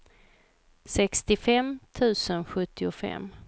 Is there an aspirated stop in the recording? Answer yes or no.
yes